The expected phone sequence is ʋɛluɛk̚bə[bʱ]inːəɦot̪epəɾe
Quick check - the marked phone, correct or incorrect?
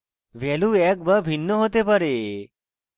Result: correct